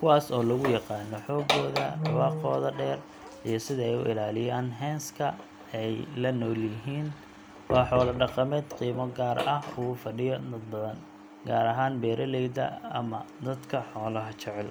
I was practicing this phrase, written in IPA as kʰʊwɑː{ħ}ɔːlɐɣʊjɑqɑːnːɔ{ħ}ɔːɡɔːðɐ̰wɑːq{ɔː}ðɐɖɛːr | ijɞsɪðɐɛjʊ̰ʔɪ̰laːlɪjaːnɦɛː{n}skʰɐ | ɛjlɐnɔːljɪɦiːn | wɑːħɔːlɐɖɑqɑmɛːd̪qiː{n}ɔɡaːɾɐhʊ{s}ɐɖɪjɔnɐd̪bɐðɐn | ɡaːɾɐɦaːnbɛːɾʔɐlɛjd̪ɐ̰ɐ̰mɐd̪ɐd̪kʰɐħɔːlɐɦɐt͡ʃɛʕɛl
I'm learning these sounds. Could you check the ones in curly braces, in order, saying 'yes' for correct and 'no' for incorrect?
no, yes, yes, yes, no, no

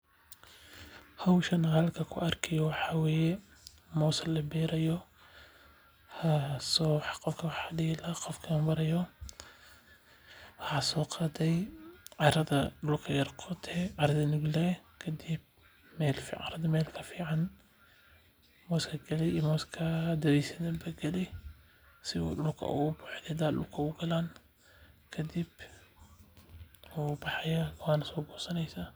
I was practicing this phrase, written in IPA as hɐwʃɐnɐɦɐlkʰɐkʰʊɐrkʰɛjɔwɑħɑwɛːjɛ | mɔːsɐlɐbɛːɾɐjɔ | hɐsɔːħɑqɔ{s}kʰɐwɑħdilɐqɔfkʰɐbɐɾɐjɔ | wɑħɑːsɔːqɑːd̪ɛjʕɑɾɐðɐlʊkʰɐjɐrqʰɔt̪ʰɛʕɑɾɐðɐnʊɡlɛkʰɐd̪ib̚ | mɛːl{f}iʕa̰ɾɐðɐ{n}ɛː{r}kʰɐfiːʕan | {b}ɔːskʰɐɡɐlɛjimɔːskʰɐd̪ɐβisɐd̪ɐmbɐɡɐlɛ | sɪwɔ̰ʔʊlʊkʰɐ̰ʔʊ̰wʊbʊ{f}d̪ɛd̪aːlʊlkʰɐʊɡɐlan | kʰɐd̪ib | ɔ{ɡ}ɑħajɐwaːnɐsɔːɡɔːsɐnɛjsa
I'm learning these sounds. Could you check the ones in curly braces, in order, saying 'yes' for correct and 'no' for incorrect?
no, yes, no, no, no, no, no

